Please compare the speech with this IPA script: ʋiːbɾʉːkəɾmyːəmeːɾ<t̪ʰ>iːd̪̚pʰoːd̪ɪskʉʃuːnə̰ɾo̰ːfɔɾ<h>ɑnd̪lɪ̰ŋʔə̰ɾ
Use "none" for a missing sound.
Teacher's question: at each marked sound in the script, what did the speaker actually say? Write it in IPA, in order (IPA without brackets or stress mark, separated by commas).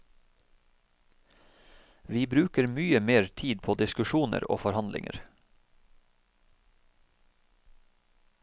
t̪ʰ, h